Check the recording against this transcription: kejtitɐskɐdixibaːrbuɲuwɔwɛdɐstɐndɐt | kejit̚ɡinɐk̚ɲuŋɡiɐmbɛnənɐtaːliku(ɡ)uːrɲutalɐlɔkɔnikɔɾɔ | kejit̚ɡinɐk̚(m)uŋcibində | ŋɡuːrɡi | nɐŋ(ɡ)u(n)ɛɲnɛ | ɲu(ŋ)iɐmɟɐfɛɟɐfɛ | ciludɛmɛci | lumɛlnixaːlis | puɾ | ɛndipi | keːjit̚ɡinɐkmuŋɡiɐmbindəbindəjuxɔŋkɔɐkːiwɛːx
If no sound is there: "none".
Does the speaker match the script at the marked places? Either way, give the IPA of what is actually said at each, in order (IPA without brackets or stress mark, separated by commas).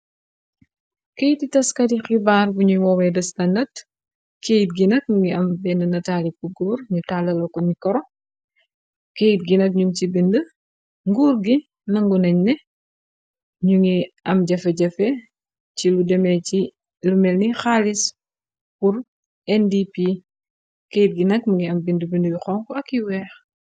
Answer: ɡ, ɲ, ɡ, n, ŋ